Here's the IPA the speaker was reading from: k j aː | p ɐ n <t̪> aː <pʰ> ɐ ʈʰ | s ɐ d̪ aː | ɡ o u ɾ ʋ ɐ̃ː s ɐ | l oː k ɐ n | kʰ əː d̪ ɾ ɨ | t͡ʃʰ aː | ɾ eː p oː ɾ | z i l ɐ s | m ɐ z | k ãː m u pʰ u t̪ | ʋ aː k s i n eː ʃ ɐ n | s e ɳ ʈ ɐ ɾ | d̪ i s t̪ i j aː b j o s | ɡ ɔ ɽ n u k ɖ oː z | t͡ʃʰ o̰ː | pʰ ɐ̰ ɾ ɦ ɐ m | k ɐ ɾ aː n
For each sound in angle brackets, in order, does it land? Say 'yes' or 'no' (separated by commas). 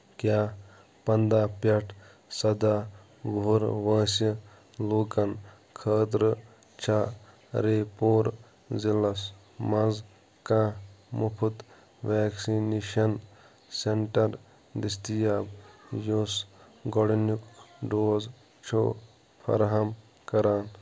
no, no